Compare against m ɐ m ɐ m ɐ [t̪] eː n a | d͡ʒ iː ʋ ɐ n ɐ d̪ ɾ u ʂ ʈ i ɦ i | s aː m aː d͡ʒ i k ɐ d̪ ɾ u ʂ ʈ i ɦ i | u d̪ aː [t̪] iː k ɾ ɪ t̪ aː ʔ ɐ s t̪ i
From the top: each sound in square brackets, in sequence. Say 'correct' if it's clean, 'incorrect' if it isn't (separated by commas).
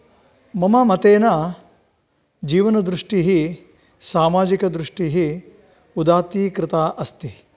correct, correct